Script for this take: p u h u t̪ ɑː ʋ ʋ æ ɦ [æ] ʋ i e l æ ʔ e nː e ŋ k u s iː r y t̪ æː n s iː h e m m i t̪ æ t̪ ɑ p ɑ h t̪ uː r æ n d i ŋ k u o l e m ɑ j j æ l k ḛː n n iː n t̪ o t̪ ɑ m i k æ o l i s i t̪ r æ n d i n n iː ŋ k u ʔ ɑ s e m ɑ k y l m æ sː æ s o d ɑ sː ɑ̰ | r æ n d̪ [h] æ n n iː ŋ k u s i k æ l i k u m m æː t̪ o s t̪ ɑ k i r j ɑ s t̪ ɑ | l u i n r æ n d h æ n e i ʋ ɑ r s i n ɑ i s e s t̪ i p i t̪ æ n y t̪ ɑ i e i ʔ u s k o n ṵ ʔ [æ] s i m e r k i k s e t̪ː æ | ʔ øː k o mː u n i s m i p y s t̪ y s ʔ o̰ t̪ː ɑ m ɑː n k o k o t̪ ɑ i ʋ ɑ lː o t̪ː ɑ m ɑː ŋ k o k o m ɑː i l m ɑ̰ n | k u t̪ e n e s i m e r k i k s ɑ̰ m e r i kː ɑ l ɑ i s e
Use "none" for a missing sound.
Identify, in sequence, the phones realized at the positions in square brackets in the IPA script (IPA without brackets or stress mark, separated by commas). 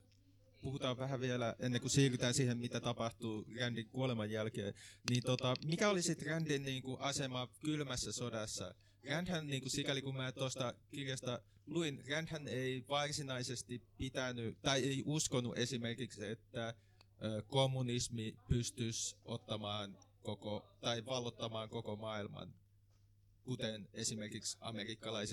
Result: æ, h, e